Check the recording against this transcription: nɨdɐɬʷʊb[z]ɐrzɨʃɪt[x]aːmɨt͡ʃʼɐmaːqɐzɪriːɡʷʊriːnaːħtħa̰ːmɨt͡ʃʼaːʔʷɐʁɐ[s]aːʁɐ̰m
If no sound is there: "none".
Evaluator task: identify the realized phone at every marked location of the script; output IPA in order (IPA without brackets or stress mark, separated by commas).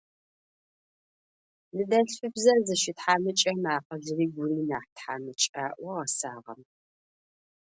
z, ħ, s